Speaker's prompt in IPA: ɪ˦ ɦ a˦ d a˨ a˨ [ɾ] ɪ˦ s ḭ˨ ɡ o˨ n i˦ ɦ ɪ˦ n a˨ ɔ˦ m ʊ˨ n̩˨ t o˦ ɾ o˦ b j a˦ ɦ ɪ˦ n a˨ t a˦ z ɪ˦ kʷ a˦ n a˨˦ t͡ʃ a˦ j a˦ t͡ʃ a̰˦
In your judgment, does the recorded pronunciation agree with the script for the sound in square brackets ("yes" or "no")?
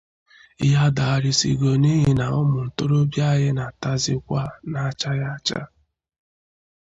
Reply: yes